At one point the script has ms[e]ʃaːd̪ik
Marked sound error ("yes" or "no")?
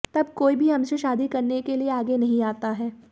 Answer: no